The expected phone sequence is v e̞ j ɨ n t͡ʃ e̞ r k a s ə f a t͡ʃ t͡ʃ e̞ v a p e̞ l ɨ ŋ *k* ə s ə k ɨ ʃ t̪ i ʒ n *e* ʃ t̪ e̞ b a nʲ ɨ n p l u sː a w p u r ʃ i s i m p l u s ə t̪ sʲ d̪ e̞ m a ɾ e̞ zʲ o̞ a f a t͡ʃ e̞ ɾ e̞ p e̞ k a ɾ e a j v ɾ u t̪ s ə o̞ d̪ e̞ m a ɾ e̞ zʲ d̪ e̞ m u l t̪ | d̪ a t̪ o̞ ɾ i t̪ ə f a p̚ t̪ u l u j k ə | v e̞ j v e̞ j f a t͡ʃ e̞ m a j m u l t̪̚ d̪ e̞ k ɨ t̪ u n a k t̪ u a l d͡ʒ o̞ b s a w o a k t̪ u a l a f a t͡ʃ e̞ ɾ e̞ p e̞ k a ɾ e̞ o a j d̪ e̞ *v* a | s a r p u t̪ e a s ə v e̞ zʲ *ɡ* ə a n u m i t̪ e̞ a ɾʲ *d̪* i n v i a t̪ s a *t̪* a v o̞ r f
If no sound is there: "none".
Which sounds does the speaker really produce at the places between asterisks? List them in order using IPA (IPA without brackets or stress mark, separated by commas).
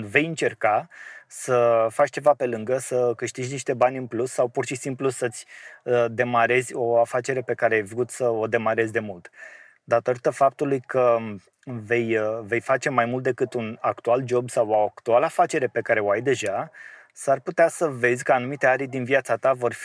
ɡ, i, ʒ, k, d̪, t̪